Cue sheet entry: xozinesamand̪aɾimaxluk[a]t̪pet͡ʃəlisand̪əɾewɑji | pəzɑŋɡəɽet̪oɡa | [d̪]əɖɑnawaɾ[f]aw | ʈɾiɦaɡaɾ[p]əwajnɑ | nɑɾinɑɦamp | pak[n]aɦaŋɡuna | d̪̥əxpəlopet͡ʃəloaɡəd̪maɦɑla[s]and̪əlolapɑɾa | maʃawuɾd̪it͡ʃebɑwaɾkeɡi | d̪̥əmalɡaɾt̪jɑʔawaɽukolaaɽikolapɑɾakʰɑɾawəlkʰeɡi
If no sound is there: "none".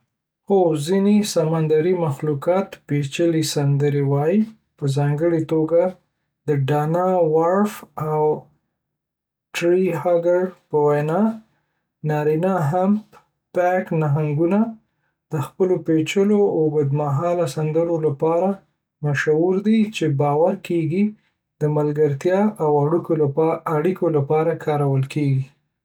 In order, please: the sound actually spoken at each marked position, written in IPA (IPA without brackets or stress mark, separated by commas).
ɑ, d̪, f, p, n, s